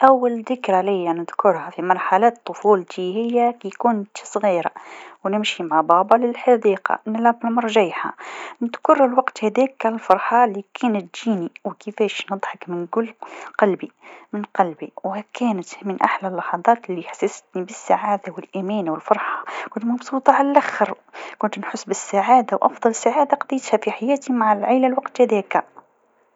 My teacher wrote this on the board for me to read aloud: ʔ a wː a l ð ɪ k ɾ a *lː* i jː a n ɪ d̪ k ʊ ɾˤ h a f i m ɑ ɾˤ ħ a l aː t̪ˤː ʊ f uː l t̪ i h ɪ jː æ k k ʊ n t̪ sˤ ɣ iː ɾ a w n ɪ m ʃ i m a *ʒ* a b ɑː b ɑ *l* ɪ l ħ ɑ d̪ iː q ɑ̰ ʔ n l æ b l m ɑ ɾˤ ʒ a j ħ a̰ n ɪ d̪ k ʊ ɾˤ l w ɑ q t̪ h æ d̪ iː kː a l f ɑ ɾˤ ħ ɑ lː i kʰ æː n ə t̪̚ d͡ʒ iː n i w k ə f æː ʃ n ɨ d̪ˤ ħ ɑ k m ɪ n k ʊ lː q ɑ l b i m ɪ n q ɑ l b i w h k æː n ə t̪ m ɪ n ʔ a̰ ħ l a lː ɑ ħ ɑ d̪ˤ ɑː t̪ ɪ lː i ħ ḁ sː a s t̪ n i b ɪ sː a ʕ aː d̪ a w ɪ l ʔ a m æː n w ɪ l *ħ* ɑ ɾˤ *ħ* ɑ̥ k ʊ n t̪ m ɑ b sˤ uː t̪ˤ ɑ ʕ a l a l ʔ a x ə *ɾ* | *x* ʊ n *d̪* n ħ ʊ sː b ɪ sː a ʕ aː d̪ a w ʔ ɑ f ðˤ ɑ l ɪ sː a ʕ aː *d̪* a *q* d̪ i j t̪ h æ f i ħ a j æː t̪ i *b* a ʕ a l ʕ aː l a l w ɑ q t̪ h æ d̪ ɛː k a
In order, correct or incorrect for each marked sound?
incorrect, incorrect, correct, incorrect, correct, correct, incorrect, incorrect, correct, correct, incorrect

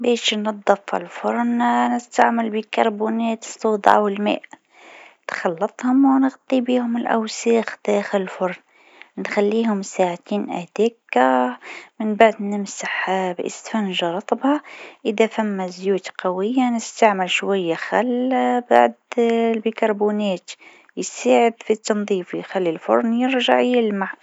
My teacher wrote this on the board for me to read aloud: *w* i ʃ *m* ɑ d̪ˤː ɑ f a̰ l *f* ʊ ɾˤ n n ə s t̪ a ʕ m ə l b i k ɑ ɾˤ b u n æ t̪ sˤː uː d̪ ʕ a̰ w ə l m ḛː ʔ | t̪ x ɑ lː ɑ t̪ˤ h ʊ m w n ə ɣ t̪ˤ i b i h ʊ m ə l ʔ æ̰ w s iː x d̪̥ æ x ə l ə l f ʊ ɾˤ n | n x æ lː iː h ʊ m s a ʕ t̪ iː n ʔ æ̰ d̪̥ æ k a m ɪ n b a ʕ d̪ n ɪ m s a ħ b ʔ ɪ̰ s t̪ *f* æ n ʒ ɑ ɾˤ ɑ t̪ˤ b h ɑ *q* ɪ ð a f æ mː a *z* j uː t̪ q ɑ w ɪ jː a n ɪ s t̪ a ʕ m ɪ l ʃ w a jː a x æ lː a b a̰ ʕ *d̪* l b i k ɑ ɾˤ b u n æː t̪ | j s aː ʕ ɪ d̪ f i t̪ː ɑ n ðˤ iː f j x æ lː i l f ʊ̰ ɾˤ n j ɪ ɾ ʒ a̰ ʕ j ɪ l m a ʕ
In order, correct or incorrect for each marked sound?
incorrect, incorrect, correct, correct, incorrect, correct, correct

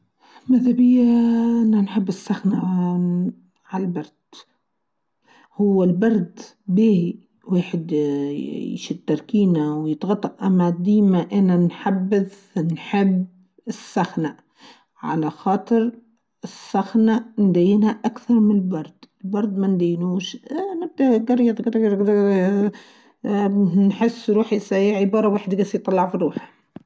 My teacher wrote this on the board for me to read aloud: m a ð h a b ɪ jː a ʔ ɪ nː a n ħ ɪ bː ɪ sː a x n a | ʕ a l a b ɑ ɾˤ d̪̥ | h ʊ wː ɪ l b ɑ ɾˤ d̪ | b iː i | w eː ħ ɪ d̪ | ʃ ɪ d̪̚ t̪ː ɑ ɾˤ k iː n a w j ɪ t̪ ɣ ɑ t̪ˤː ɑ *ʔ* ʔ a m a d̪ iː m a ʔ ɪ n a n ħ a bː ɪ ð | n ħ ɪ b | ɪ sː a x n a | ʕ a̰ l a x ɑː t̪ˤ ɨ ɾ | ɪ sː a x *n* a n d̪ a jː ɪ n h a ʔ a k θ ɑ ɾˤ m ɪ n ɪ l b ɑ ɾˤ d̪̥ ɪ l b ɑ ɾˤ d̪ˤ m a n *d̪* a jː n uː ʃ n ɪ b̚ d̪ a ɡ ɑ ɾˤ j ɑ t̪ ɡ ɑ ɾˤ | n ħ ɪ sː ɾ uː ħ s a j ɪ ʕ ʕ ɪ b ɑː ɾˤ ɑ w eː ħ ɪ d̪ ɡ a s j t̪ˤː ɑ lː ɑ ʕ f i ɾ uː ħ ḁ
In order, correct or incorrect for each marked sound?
correct, correct, correct

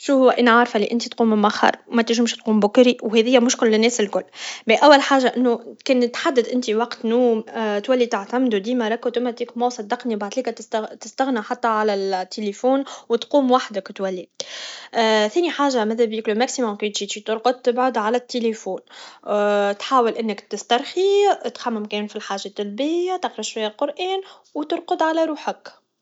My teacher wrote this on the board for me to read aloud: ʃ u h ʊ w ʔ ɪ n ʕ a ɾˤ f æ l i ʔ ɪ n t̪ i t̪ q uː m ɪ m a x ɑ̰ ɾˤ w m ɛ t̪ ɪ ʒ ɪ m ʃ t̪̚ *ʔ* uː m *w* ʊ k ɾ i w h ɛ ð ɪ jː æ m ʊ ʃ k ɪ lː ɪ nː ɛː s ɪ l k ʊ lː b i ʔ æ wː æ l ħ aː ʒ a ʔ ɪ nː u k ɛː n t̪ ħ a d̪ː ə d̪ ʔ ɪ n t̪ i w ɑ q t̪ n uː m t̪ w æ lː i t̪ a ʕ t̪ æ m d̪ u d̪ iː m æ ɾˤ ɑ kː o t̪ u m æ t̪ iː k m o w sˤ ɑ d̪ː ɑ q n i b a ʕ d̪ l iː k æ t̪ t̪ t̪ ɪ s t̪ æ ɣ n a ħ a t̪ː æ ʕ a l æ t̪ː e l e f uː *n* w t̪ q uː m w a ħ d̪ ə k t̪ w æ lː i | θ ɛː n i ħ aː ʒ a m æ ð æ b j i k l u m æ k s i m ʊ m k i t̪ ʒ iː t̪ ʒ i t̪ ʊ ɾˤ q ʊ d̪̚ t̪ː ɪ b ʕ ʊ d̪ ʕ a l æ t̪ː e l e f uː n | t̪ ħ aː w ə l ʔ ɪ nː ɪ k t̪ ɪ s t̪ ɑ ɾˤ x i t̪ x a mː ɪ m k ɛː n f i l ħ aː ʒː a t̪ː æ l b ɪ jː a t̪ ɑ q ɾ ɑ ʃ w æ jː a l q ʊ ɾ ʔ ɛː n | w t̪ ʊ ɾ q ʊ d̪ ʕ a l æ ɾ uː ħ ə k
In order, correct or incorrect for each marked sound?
incorrect, incorrect, correct

